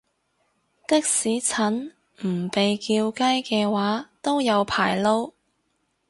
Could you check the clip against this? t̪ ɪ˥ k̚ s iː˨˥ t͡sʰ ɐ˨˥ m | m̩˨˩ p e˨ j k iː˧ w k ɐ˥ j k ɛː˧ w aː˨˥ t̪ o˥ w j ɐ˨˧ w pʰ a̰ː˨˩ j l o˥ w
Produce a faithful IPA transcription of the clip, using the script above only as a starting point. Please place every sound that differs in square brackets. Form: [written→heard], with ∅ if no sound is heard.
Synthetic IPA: t̪ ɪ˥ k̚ s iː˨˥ t͡sʰ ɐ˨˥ [m→n] | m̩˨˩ p e˨ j k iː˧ w k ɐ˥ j k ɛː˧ w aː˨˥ t̪ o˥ w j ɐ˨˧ w pʰ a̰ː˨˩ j l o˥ w